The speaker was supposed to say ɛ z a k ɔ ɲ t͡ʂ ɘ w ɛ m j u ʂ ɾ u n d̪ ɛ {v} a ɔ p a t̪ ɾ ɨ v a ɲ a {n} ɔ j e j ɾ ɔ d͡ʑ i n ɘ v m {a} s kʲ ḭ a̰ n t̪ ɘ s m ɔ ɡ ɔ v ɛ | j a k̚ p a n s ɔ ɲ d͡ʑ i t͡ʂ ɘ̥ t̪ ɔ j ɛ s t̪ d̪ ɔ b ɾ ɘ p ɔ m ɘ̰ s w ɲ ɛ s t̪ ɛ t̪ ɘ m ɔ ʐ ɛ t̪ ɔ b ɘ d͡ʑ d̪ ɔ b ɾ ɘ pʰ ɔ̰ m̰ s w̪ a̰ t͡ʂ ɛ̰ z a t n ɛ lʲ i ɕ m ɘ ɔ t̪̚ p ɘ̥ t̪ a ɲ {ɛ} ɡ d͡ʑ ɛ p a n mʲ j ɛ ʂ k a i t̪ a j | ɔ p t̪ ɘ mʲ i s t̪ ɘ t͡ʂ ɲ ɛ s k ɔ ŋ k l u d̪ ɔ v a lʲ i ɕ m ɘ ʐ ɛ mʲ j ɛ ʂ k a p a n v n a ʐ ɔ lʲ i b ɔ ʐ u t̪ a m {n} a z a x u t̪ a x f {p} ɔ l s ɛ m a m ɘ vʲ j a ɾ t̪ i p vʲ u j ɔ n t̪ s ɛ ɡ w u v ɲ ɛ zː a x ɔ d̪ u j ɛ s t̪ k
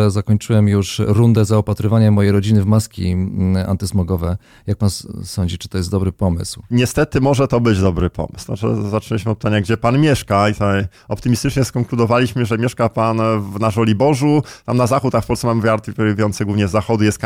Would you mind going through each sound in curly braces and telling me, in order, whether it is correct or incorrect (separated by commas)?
incorrect, incorrect, correct, incorrect, correct, correct